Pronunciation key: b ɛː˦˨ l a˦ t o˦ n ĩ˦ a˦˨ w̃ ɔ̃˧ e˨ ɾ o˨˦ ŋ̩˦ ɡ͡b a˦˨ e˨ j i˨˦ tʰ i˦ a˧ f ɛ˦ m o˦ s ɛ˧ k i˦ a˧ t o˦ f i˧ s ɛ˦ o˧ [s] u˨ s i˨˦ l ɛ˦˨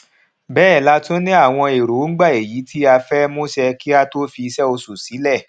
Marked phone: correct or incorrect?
correct